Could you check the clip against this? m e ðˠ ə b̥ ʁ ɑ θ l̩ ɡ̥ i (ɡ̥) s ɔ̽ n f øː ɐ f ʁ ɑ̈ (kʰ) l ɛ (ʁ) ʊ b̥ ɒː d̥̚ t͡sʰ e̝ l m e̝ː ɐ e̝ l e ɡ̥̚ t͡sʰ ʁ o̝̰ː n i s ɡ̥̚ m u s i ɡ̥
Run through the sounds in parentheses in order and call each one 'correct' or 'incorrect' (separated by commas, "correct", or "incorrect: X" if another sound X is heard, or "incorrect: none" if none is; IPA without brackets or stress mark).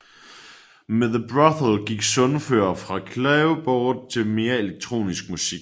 correct, correct, incorrect: none